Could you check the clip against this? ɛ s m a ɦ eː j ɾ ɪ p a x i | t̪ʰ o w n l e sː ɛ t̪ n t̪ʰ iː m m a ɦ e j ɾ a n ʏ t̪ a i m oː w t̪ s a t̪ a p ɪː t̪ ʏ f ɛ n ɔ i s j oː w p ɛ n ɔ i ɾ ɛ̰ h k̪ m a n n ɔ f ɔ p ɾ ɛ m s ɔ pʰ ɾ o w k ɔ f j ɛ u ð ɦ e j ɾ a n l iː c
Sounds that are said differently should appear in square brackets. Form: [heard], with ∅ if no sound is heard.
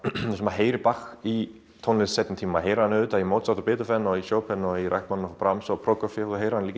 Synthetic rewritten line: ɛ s m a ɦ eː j ɾ ɪ p a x i | t̪ʰ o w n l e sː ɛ t̪ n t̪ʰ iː m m a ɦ e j ɾ a n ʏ t̪ a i m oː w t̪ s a t̪ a p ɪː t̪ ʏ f ɛ n ɔ i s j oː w p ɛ n ɔ i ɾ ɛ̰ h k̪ m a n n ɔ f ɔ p ɾ [a] m s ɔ pʰ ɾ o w k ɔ f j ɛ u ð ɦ e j ɾ a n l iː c